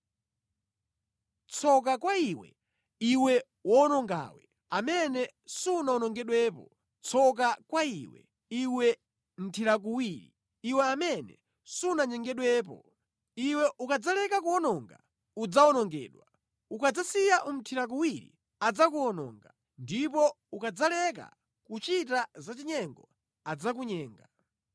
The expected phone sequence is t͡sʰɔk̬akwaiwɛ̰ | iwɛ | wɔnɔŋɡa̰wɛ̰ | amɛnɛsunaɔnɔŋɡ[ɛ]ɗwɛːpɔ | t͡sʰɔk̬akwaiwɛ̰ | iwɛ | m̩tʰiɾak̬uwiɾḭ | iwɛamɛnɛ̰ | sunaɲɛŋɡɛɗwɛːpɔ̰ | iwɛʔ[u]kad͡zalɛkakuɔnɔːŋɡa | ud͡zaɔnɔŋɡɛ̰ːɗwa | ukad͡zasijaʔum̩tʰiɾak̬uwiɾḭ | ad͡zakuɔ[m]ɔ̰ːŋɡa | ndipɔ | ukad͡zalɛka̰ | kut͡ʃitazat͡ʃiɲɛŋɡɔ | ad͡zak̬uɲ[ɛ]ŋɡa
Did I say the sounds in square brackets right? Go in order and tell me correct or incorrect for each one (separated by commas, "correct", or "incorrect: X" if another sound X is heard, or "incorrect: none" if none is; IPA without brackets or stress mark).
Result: correct, correct, incorrect: n, incorrect: ɛː